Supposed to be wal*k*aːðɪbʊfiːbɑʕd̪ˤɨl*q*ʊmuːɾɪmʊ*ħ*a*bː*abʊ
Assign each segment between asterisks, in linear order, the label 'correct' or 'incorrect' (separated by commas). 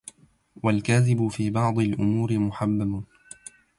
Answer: correct, incorrect, correct, correct